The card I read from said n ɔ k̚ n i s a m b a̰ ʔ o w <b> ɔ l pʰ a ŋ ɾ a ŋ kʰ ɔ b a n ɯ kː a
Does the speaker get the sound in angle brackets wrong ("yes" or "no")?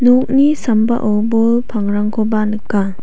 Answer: no